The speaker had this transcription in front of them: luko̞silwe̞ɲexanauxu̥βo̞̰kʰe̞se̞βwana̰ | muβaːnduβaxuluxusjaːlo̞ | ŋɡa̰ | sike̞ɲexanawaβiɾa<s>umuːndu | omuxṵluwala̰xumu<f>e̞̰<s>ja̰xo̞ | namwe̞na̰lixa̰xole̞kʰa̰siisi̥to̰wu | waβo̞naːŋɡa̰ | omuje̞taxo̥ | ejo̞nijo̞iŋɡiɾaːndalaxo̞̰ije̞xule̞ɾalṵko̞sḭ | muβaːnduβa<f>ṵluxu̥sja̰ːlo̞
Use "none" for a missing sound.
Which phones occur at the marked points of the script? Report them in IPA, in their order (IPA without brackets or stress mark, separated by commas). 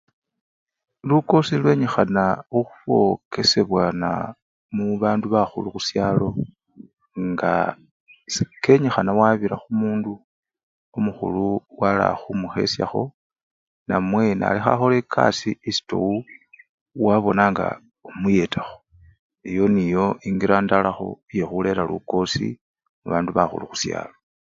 x, x, s, x